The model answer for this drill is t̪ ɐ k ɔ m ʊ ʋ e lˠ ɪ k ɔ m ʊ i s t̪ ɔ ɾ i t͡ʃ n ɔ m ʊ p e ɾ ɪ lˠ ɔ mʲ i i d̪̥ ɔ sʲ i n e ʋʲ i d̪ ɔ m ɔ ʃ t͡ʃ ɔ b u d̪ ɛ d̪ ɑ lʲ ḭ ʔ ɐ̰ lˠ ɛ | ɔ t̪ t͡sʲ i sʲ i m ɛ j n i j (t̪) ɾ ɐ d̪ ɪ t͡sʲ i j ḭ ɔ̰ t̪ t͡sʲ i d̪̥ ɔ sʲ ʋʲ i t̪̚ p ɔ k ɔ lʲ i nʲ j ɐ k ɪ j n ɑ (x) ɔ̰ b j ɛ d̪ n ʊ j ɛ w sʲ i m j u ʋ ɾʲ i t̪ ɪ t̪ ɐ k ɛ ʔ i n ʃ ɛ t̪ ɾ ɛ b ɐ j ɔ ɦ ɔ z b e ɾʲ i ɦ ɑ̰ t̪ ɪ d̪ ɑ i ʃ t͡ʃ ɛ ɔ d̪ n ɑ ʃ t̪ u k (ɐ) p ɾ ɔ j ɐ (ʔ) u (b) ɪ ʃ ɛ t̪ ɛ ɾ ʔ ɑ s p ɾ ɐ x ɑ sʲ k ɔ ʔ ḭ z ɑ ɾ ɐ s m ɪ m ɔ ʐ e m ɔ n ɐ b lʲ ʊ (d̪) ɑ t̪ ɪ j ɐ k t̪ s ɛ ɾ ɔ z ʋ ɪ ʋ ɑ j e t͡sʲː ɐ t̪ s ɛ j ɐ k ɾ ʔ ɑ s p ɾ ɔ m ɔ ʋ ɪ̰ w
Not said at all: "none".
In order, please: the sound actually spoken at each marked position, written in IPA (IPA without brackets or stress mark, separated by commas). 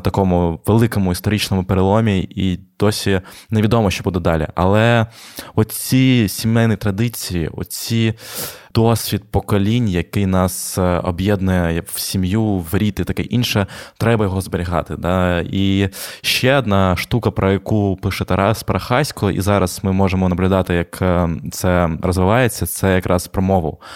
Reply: t̪, s, ɐ, k, p, d̪